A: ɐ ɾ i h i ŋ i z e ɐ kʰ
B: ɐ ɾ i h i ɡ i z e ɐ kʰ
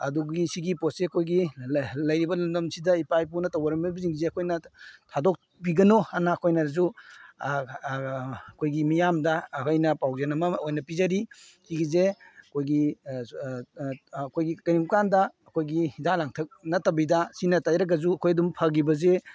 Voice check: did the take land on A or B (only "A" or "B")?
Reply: B